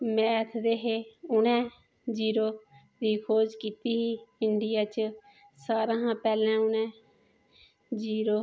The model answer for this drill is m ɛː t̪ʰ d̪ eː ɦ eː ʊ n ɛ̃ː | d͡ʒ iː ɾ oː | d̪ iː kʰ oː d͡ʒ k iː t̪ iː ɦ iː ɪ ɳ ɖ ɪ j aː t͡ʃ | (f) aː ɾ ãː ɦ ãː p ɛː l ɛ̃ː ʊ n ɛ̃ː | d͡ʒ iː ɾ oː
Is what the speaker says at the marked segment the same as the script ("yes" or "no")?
no